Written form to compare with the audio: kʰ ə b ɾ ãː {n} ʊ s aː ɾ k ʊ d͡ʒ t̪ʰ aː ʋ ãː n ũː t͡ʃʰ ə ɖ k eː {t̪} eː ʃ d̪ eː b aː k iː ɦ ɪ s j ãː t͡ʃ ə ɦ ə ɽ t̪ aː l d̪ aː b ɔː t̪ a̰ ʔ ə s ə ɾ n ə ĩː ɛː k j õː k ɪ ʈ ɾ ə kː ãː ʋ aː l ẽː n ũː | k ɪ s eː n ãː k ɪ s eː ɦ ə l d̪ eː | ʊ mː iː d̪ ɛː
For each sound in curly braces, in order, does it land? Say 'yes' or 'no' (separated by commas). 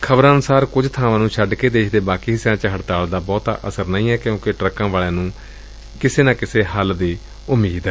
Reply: yes, no